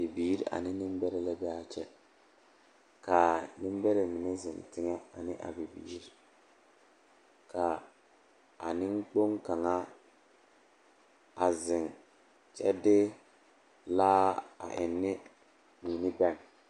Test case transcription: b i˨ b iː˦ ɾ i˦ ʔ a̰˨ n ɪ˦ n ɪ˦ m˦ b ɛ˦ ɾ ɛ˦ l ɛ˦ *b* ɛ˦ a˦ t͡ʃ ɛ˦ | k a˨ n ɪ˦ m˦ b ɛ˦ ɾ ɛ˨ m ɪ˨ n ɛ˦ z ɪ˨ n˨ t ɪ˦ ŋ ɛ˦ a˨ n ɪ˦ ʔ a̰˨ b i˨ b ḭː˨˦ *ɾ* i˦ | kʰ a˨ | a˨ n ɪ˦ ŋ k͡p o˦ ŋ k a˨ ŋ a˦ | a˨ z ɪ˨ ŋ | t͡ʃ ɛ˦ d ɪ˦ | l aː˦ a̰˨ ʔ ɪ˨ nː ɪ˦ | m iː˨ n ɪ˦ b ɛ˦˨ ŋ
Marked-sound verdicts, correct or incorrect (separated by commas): correct, correct